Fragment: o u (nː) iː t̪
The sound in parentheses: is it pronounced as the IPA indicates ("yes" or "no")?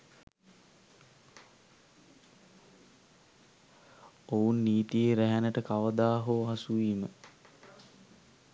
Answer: yes